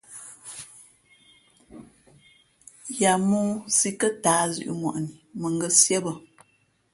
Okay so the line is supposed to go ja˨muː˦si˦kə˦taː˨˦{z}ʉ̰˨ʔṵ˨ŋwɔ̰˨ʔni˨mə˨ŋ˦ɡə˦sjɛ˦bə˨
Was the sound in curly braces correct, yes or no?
yes